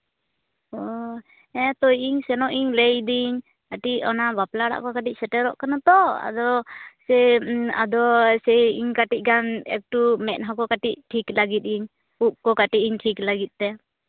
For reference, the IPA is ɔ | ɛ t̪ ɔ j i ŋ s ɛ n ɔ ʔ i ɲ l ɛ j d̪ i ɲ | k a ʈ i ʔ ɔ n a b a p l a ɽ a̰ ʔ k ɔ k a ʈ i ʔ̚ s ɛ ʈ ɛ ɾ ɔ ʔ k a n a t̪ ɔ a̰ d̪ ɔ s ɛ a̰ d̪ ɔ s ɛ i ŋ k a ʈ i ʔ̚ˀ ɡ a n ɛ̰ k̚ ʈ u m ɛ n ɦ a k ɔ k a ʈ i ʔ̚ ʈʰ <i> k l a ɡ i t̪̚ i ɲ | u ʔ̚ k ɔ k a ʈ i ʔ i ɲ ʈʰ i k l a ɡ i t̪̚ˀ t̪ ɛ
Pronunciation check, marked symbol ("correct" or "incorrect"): correct